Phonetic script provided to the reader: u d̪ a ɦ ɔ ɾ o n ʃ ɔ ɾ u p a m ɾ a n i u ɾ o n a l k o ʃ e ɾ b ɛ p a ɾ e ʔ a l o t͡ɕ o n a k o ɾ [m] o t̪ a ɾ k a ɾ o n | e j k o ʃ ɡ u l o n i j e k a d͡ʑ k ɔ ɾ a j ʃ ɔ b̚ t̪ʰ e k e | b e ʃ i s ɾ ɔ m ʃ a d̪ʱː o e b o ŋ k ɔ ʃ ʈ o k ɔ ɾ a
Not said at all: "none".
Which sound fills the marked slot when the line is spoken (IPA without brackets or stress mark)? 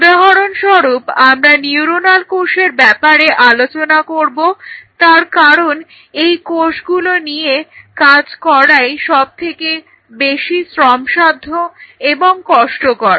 b